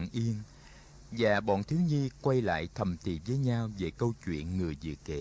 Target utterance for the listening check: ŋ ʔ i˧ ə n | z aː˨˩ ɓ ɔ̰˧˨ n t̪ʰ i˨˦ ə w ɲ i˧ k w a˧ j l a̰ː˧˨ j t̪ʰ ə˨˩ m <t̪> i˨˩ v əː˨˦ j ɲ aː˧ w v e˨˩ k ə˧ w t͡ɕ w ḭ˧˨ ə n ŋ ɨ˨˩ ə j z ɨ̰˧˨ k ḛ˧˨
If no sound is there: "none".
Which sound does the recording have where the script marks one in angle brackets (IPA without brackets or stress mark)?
t̪